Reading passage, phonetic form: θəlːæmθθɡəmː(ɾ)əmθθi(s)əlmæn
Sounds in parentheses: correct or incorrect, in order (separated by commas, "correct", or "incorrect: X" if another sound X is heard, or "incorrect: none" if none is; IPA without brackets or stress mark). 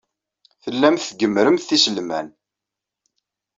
correct, correct